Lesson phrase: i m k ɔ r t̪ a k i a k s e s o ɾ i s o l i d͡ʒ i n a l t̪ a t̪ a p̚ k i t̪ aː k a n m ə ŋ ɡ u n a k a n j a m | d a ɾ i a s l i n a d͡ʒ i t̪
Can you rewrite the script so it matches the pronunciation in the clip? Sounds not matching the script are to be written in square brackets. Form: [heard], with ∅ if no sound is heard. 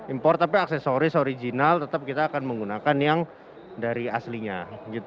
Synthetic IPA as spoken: i m [p] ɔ r t̪ a [p] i a k s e s o ɾ i s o [ɾ] i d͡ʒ i n a l t̪ [ə] t̪ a p̚ k i t̪ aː k a n m ə ŋ ɡ u n a k a n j a [ŋ] | d a ɾ i a s l i [ɲ] a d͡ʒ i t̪